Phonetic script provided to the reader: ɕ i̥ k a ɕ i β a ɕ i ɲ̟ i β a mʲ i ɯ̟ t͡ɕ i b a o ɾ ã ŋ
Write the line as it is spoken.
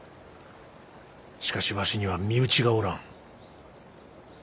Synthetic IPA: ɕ i̥ k a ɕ i β a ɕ i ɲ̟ i β a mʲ i ɯ̟ t͡ɕ i ɡ a o ɾ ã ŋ